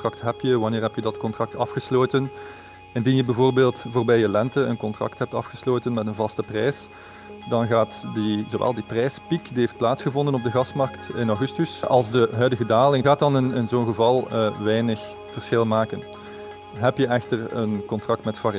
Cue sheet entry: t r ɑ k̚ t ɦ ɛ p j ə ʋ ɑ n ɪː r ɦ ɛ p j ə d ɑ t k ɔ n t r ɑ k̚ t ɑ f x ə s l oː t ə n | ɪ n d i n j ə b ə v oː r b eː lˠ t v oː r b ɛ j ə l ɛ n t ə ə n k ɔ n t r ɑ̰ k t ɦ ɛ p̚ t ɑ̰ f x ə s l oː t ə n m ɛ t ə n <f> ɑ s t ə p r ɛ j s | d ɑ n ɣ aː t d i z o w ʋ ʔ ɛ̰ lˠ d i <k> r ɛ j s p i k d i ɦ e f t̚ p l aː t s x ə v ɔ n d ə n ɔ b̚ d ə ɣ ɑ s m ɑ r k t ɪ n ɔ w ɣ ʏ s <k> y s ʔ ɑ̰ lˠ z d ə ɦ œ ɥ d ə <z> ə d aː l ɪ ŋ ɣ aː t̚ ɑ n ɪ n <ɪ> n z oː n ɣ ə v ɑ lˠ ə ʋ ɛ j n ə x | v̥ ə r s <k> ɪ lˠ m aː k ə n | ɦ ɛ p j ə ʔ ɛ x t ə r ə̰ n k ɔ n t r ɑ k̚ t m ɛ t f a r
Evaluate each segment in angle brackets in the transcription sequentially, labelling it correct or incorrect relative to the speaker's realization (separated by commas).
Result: incorrect, incorrect, incorrect, incorrect, correct, incorrect